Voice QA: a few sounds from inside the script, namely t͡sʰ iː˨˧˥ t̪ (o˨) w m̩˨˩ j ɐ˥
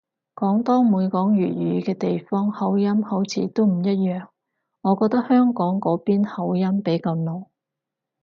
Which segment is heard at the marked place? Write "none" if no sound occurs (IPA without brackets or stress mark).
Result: o˥